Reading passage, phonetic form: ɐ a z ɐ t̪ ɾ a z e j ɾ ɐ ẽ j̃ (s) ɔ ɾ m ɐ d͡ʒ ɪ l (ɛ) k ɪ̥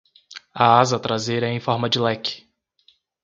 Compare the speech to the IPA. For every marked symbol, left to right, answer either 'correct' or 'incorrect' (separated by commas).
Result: incorrect, correct